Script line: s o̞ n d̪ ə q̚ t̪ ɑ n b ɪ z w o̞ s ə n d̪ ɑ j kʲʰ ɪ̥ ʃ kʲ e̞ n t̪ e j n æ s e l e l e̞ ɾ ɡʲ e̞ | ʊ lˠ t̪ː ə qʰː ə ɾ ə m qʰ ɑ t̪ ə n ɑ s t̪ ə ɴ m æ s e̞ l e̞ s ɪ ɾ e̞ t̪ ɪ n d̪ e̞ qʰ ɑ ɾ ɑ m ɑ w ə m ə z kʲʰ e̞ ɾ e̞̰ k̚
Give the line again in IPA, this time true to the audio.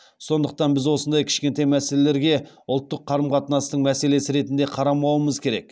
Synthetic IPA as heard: s o̞ n d̪ ə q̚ t̪ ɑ n b ɪ z w o̞ s ə n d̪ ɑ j kʲʰ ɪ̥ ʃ kʲ e̞ n t̪ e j m æ s e l e l e̞ ɾ ɡʲ e̞ | ʊ lˠ t̪ː ə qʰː ɑ ɾ ə m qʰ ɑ t̪ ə n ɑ s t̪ ə ɴ m æ s e̞ l e̞ s ɪ ɾ e̞ t̪ ɪ n d̪ e̞ qʰ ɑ ɾ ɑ m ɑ w ə m ə z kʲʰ e̞ ɾ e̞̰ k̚

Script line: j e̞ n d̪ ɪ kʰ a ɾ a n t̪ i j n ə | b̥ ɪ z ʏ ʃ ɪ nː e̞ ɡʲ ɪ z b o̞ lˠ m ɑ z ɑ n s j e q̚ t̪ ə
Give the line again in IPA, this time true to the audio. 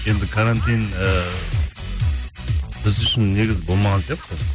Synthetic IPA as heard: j e̞ n d̪ ɪ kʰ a ɾ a n t̪ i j n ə | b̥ ɪ z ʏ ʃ ɪ nː e̞ ɡʲ ɪ z b o̞ lˠ m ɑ ʁ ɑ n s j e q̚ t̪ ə

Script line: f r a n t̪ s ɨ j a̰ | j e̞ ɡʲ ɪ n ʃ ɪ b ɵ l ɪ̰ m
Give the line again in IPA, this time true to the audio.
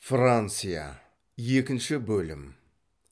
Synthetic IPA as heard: f r a n t̪ s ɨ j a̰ | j e̞ kʲ ɪ n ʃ ɪ b ɵ l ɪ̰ m

